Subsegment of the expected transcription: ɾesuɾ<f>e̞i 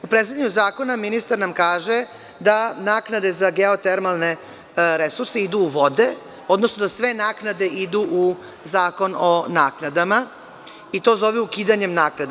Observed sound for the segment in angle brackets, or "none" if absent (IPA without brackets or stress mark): s